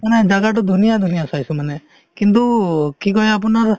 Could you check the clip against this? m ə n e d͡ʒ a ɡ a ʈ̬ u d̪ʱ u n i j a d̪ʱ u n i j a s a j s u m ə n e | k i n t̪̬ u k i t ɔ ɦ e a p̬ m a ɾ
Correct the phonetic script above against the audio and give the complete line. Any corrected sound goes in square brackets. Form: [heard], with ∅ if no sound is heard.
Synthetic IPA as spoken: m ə n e d͡ʒ a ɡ a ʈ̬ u d̪ʱ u n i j a d̪ʱ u n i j a s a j s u m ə n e | k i n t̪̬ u k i [k] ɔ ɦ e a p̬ [n] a ɾ